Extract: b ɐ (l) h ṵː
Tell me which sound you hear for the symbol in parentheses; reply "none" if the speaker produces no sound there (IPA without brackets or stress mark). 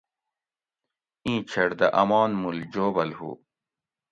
l